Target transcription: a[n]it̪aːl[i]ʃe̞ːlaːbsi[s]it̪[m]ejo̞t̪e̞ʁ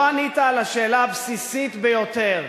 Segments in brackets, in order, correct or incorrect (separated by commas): correct, incorrect, correct, incorrect